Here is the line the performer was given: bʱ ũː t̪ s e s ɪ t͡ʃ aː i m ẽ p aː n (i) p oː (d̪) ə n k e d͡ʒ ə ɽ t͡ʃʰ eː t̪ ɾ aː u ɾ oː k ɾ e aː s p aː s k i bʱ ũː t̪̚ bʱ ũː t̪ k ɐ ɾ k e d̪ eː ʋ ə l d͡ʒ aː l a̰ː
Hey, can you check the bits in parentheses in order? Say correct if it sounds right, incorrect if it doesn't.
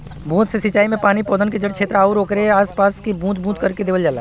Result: correct, correct

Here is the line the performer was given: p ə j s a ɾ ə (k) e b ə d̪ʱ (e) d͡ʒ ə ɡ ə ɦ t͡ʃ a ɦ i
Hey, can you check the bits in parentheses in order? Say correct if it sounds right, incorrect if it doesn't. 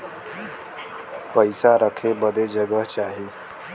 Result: incorrect: kʰ, correct

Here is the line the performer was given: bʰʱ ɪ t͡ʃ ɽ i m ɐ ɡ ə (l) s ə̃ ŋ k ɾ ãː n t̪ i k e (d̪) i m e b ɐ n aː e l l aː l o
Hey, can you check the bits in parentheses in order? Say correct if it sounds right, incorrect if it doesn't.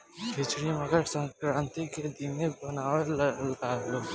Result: incorrect: ɾ, correct

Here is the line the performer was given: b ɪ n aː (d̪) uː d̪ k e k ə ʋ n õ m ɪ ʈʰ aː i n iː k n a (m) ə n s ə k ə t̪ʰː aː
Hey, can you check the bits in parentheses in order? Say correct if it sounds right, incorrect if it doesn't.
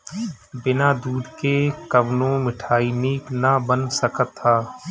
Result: correct, incorrect: b

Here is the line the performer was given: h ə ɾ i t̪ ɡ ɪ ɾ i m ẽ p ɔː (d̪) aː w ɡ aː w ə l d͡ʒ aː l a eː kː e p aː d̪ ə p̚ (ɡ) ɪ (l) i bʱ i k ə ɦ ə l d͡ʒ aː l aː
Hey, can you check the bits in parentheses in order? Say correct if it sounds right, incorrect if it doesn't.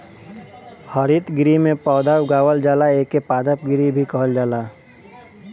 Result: correct, correct, incorrect: ɾ

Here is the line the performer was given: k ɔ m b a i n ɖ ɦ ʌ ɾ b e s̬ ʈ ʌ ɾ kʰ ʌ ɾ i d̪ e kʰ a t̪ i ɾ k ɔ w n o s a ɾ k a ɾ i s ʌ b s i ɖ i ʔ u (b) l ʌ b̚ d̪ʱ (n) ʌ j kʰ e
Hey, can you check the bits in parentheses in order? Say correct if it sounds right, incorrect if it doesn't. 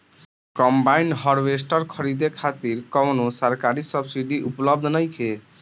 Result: incorrect: p, correct

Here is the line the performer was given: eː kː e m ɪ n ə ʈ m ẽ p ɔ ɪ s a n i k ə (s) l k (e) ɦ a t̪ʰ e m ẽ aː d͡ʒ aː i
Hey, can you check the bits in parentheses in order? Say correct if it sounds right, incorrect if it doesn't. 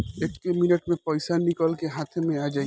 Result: incorrect: none, correct

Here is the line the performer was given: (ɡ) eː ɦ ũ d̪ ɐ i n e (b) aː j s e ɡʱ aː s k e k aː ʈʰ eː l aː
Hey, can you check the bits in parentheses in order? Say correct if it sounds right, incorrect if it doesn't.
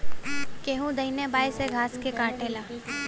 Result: incorrect: k, correct

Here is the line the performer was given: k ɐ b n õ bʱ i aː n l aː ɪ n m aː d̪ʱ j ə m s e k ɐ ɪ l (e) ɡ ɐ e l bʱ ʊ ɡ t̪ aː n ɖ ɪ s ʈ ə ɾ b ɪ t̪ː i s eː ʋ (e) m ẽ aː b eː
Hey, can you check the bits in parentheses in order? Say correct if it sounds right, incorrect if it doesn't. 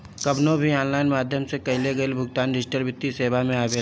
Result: correct, incorrect: a

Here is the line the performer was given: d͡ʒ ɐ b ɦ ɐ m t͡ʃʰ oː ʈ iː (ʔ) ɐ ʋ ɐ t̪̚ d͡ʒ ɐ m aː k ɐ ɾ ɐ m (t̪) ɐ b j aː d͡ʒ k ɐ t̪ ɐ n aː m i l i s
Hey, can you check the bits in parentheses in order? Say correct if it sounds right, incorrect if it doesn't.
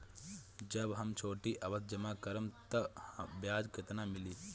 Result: correct, correct

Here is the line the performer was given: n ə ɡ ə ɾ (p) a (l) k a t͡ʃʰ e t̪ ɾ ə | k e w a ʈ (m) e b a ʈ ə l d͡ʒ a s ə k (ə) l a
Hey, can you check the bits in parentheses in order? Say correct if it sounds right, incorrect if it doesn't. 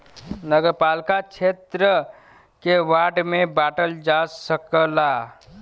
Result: correct, correct, correct, correct

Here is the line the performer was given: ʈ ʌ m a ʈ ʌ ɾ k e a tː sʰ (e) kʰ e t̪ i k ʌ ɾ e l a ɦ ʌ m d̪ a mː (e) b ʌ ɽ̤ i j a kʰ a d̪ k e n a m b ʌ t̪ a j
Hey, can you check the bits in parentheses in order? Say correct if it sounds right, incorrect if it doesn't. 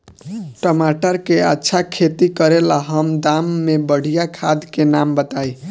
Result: incorrect: a, correct

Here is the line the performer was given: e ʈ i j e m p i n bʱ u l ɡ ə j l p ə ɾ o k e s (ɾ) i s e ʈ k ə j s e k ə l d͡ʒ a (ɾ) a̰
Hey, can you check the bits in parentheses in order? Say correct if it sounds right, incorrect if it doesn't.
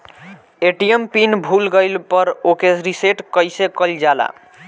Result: correct, incorrect: l

